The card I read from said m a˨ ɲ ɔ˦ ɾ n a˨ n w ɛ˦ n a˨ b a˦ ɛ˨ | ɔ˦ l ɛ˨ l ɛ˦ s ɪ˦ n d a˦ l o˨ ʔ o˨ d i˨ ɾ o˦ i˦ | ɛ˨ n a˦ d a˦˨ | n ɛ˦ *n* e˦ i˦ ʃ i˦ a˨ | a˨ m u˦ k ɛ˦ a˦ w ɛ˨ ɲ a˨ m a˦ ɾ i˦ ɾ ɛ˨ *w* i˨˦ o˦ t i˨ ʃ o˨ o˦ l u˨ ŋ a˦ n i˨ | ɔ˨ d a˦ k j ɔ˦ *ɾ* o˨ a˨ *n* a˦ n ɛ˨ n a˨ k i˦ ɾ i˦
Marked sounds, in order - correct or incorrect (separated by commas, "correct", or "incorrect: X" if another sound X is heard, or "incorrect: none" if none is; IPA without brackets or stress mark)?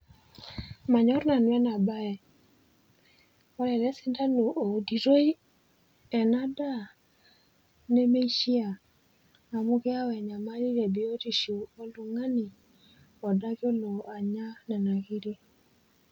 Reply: incorrect: m, incorrect: b, incorrect: l, incorrect: ɲ